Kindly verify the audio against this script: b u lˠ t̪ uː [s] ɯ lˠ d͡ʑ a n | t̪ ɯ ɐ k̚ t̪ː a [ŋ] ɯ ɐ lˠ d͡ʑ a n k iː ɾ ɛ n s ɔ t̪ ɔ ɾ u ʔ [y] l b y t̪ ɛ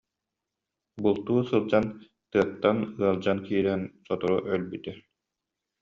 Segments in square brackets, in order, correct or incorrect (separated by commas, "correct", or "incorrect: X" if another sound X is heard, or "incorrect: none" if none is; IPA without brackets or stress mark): correct, incorrect: n, incorrect: œ